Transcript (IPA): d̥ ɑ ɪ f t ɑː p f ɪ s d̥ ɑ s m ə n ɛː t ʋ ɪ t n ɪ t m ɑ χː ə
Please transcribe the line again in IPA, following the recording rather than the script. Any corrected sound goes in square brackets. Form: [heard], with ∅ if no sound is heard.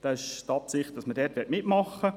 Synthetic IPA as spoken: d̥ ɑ ɪ [ʃ] t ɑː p [s] ɪ [χ] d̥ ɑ s m ə [d] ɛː t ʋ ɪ t [m] ɪ t m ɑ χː ə